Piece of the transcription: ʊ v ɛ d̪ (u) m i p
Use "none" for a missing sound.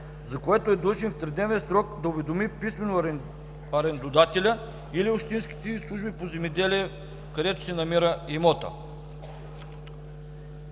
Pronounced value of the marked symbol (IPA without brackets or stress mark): o